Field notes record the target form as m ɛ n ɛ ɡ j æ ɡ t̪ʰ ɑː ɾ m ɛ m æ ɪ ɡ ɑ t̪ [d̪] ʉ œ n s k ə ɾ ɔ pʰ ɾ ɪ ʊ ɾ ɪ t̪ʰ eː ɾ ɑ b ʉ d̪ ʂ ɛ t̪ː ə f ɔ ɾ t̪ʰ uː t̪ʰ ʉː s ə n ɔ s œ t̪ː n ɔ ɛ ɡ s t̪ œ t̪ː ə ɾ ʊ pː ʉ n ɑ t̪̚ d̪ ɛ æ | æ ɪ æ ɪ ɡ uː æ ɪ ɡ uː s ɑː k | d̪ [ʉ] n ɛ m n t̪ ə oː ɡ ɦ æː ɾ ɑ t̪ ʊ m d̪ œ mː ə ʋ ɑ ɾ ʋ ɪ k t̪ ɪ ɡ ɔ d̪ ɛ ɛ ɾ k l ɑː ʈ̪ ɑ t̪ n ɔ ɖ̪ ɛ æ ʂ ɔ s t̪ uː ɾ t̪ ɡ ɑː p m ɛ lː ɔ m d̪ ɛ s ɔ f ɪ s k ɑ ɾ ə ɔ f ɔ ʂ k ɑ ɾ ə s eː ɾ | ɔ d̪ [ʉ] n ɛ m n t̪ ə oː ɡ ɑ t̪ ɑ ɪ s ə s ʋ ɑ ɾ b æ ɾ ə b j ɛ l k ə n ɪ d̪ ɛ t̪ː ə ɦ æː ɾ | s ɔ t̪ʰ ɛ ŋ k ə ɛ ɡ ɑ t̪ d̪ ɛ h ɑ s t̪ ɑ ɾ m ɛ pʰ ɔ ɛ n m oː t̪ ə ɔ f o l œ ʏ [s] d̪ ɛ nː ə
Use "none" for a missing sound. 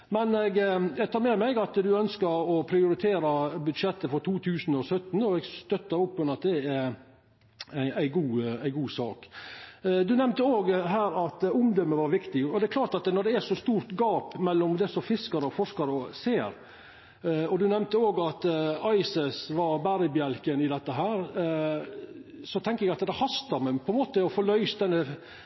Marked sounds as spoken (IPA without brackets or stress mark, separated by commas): d̪, ʉ, ʉ, s